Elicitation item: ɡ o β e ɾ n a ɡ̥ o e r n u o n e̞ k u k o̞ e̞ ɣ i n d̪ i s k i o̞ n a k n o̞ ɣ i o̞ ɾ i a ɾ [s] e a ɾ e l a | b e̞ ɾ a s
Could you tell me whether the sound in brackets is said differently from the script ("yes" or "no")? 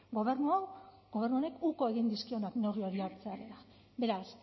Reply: yes